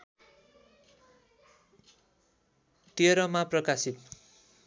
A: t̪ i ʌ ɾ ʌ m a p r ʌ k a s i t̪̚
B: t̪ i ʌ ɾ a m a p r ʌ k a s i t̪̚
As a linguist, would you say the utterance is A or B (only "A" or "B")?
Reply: A